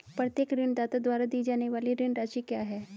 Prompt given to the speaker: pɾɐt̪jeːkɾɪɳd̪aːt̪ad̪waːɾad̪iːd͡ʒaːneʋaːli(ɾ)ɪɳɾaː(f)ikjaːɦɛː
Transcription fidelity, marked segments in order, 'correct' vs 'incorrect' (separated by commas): correct, incorrect